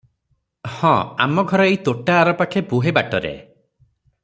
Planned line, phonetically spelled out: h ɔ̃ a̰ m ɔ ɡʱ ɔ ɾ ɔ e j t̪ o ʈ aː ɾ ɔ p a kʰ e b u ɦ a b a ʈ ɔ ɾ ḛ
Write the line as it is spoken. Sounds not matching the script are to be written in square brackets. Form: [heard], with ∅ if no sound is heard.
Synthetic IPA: h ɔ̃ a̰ m ɔ ɡʱ ɔ ɾ ɔ e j t̪ o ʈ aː ɾ ɔ p a kʰ e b u ɦ [e] b a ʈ ɔ ɾ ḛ